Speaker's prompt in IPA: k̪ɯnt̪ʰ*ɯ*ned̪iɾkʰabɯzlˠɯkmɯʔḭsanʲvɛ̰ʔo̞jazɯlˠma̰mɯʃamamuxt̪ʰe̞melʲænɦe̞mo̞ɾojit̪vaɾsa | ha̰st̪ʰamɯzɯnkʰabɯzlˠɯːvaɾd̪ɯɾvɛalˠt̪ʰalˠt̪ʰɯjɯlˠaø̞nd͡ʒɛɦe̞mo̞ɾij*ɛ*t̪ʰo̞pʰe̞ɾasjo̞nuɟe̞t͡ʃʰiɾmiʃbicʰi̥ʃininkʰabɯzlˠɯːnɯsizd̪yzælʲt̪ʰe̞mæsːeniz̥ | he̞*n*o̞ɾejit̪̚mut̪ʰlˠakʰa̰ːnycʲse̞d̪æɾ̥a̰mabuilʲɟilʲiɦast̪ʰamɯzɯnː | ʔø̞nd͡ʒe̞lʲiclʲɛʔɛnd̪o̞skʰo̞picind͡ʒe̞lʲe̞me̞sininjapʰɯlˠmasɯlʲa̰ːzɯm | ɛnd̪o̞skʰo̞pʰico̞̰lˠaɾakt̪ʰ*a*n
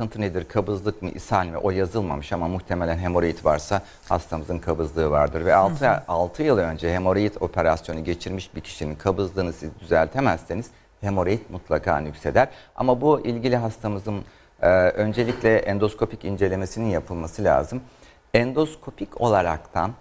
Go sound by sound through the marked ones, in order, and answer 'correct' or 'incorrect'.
correct, incorrect: i, incorrect: m, correct

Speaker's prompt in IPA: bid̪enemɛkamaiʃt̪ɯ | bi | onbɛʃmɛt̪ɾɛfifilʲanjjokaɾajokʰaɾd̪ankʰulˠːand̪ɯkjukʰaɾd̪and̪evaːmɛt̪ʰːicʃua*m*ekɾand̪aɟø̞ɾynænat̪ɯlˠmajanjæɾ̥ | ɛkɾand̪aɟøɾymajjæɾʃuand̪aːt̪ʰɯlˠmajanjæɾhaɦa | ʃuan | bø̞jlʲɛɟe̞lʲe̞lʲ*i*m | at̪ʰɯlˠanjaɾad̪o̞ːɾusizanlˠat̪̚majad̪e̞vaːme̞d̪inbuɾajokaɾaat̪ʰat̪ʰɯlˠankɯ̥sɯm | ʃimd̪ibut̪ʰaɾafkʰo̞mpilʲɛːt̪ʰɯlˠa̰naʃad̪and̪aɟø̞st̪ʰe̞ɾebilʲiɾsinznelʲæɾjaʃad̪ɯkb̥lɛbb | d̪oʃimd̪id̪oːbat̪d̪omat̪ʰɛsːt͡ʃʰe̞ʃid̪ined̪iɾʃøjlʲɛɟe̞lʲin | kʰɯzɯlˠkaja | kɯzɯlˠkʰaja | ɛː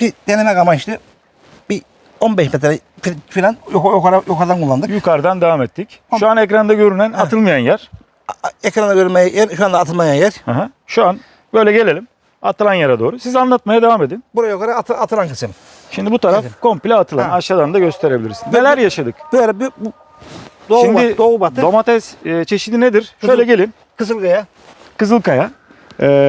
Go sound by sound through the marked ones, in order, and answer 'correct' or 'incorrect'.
incorrect: n, correct

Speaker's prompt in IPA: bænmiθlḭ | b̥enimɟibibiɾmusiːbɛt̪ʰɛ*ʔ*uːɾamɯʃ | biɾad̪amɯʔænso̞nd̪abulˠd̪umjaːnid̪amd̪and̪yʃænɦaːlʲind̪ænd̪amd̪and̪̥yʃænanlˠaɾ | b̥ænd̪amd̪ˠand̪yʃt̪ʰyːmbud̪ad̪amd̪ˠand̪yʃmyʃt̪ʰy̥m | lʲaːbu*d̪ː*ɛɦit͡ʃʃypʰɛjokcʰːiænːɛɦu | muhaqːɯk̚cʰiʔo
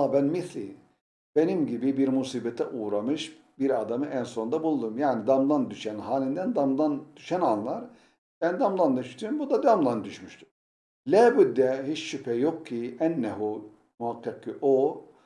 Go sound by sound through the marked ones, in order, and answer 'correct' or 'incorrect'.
correct, correct

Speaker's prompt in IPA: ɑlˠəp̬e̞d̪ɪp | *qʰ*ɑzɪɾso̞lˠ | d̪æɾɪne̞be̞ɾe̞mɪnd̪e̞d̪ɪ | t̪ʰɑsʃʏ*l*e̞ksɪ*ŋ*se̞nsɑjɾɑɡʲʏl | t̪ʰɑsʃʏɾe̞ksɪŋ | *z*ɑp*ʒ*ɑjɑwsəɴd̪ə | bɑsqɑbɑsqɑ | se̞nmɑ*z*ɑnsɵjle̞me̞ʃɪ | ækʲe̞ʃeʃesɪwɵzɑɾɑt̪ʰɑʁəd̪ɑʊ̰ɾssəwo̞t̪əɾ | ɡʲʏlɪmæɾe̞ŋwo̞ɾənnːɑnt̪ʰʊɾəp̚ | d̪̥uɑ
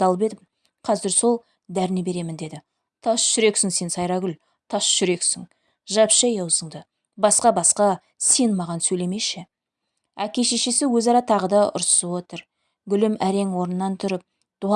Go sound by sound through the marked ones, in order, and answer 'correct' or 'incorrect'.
correct, incorrect: ɾ, correct, incorrect: ʒ, incorrect: ʃ, incorrect: ʁ

